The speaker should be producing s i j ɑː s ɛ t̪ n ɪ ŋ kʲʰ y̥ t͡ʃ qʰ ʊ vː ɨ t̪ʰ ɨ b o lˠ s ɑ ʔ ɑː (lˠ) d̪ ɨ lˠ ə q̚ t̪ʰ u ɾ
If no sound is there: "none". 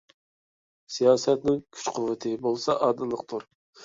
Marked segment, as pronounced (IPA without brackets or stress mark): none